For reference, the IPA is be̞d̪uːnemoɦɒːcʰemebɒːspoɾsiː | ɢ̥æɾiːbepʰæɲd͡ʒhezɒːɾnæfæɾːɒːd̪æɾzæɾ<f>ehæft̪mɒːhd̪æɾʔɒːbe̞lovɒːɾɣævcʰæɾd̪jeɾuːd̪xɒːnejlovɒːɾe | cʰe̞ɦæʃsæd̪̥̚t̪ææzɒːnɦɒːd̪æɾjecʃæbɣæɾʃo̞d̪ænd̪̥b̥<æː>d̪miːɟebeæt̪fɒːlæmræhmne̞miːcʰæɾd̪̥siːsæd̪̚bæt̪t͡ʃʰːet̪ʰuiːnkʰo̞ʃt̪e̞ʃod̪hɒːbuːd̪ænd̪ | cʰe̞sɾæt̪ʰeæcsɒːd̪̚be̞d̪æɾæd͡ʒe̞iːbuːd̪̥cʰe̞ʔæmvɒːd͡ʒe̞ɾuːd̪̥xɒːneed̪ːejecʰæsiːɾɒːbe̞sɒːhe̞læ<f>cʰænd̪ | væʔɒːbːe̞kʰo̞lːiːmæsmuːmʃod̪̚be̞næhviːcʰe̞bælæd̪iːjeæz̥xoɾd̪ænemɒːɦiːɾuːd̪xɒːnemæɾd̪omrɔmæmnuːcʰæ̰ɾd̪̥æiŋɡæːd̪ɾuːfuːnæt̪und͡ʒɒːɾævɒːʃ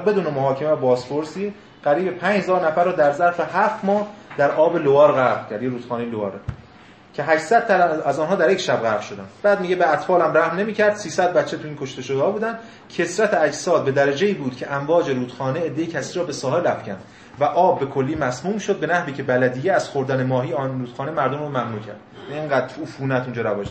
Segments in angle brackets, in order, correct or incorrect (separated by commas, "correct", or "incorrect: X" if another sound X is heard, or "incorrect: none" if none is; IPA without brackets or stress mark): correct, correct, correct